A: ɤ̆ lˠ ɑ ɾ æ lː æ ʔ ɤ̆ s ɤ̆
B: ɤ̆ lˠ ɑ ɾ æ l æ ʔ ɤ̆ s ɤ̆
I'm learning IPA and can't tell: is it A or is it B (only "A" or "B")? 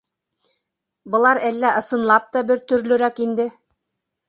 A